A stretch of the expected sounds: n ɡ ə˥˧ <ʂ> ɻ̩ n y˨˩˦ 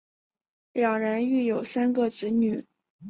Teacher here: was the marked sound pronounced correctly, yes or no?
no